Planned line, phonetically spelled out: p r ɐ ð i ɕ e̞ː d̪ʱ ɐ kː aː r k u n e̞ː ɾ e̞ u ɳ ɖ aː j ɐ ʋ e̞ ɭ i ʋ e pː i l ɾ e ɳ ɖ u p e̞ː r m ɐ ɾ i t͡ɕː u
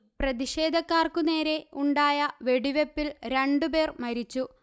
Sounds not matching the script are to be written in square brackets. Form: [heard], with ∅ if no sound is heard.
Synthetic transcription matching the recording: p r ɐ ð i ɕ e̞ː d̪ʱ ɐ kː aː r k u n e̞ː ɾ e̞ u ɳ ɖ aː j ɐ ʋ e̞ [ɽ] i ʋ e pː i l ɾ e ɳ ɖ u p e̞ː r m ɐ ɾ i t͡ɕː u